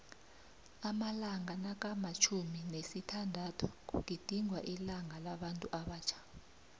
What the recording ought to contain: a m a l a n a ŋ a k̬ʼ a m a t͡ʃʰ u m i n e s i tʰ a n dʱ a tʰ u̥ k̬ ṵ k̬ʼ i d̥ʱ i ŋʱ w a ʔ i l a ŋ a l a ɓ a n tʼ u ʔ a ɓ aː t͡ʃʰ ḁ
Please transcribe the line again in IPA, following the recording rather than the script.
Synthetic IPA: a m a l a ŋ a n a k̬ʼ a m a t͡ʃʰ u m i n e s i tʰ a n dʱ a tʰ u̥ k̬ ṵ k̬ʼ i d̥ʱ i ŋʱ w a ʔ i l a ŋ a l a ɓ a n tʼ u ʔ a ɓ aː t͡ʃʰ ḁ